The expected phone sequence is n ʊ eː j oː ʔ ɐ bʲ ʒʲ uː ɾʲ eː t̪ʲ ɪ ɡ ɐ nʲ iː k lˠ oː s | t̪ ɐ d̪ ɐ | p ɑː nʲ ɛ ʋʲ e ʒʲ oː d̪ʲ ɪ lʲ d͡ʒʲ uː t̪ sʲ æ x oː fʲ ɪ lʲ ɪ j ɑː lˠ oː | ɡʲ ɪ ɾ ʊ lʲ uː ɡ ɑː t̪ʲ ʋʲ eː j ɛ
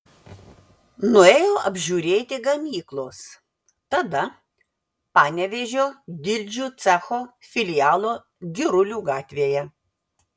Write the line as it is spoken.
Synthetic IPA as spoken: n ʊ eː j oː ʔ ɐ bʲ ʒʲ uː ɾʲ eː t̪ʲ ɪ ɡ ɐ mʲ iː k lˠ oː s | t̪ ɐ d̪ ɐ | p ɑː nʲ ɛ ʋʲ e ʒʲ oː d̪ʲ ɪ lʲ d͡ʒʲ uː t̪ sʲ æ x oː fʲ ɪ lʲ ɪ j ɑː lˠ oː | ɡʲ ɪ ɾ ʊ lʲ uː ɡ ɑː t̪ʲ ʋʲ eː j ɛ